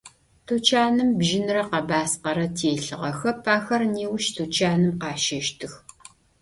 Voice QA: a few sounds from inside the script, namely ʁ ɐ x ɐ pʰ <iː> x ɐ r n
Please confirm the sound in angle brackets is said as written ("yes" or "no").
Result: no